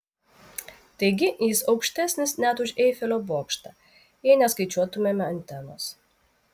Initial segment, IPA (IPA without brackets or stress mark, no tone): t̪